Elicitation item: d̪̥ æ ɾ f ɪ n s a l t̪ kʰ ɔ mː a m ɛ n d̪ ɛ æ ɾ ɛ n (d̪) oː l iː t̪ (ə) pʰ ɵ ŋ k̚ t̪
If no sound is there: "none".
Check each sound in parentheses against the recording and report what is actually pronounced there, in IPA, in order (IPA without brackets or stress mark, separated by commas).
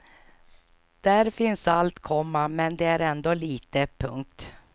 d̪, ə